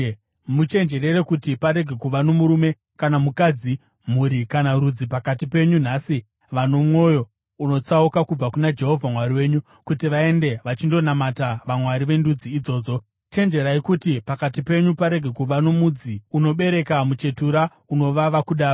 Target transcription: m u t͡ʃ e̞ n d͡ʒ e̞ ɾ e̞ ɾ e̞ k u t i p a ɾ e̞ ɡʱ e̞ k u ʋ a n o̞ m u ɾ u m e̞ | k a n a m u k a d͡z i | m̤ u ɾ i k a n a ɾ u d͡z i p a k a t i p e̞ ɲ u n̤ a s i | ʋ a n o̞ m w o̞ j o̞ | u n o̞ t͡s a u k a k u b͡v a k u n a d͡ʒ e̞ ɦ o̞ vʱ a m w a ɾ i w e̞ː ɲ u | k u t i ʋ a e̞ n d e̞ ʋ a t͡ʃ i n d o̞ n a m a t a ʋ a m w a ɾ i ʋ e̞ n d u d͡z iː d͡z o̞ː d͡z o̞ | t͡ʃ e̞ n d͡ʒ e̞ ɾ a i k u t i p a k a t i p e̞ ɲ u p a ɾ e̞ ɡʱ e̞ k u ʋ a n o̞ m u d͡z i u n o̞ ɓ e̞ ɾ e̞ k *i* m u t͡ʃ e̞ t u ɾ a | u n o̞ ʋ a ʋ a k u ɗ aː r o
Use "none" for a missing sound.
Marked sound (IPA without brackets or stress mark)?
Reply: a